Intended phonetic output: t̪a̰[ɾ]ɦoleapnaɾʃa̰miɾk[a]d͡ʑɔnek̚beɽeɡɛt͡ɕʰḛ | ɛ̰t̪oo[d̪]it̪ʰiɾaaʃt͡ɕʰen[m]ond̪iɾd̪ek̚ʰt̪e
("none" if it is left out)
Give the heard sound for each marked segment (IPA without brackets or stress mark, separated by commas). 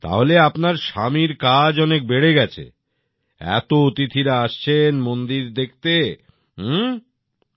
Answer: none, a, t̪, m